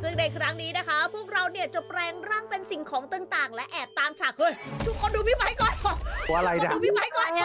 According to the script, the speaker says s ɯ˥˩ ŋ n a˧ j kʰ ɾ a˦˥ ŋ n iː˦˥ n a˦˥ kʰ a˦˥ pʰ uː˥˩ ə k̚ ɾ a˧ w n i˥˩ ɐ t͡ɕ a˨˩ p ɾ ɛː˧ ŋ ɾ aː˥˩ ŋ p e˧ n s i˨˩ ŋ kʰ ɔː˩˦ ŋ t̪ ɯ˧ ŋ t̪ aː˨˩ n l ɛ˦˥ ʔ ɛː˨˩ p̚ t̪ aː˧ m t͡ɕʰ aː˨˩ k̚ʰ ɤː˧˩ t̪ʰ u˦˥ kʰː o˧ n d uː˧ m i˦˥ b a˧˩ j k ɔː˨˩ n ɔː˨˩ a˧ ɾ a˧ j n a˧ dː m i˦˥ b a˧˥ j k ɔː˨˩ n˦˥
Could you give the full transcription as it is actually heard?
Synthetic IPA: s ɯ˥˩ ŋ n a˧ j kʰ ɾ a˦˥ ŋ n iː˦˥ n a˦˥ kʰ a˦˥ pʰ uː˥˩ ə k̚ ɾ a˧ w n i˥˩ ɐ t͡ɕ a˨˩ p ɾ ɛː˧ ŋ ɾ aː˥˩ ŋ p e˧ n s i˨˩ ŋ kʰ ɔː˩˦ ŋ t̪ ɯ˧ ŋ t̪ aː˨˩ ŋ l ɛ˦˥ ʔ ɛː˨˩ p̚ t̪ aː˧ m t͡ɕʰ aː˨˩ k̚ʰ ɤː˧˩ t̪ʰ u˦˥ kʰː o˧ n d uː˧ m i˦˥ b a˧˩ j k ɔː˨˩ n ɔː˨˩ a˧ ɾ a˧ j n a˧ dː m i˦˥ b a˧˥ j k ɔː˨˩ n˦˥